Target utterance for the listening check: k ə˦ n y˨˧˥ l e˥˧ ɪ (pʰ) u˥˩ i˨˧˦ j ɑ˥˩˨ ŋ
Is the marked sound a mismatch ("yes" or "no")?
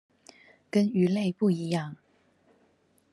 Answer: yes